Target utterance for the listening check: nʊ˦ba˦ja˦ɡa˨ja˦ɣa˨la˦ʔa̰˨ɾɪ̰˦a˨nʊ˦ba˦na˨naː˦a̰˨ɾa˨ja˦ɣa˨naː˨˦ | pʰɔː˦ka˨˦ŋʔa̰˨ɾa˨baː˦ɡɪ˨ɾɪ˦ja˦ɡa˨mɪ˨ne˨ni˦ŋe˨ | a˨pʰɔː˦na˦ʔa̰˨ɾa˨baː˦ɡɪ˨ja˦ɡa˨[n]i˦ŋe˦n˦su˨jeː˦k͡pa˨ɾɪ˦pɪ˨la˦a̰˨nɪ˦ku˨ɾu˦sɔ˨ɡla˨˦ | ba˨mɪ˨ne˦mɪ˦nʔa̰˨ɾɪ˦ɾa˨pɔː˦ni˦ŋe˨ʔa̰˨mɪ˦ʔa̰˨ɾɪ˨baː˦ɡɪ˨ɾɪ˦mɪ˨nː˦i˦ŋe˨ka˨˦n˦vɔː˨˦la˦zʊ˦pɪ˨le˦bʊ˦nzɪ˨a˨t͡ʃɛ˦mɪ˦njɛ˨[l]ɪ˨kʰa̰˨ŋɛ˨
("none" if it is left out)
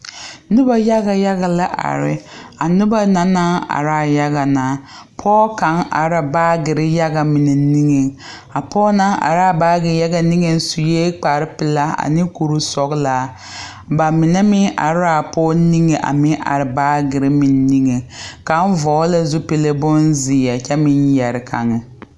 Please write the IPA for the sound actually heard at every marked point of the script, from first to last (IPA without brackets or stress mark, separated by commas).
n, ɾ